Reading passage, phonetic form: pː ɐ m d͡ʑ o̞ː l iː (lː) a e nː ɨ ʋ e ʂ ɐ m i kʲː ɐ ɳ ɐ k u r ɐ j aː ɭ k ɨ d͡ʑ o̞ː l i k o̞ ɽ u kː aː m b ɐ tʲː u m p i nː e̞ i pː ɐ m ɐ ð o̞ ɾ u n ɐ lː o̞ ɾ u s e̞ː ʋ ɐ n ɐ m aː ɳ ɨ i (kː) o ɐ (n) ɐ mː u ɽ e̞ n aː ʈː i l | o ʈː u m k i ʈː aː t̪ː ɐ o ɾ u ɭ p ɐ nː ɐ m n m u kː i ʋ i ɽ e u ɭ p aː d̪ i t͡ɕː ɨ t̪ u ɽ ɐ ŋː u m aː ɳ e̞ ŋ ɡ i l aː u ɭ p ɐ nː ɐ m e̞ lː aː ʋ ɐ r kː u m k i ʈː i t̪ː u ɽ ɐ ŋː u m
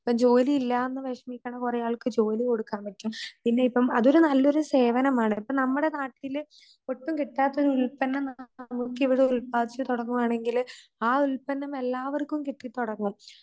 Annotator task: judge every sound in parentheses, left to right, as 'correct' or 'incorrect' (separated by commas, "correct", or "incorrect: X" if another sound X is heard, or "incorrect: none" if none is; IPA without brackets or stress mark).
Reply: correct, incorrect: pː, correct